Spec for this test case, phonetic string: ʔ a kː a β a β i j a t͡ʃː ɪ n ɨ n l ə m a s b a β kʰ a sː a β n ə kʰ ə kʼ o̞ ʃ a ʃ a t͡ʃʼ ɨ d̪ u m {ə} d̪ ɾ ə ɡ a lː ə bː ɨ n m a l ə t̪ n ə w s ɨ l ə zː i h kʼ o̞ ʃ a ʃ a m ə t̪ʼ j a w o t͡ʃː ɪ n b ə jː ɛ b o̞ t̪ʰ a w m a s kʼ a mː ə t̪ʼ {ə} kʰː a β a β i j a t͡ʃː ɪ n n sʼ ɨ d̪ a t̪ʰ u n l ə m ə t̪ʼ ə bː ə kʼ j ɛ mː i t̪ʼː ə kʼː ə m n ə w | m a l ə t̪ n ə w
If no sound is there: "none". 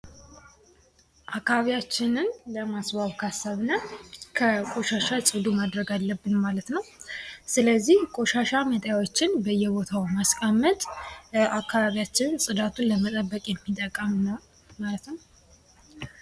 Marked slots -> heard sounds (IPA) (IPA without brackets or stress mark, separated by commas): a, a